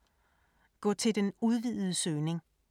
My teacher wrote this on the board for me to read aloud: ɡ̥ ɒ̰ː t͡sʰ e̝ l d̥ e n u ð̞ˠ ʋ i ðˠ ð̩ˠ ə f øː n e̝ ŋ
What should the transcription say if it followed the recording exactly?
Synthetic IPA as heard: ɡ̥ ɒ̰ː t͡sʰ e̝ l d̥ e n u ð̞ˠ ʋ i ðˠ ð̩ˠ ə s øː n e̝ ŋ